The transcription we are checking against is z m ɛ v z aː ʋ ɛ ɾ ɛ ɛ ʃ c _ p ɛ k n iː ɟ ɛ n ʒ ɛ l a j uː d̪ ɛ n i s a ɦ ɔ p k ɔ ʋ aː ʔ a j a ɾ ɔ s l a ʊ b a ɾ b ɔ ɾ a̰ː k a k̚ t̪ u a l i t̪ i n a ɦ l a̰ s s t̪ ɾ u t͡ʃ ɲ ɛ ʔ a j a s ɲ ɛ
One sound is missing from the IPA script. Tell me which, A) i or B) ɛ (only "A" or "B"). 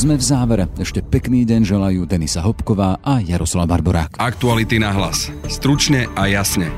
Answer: B